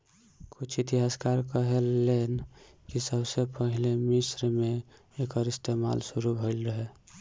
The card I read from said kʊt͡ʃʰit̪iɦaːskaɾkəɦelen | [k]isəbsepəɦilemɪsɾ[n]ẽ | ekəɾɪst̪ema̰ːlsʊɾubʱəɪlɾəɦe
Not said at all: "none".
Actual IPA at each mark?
k, m

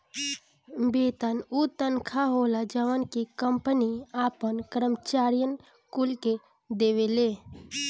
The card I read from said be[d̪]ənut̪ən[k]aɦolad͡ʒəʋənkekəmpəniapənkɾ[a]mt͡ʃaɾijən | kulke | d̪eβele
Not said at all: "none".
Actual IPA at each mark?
t̪, kʰ, ə

